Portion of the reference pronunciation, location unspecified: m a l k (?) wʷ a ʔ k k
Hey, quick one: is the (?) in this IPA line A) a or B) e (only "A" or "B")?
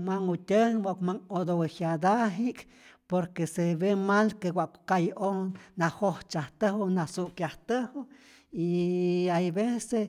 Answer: B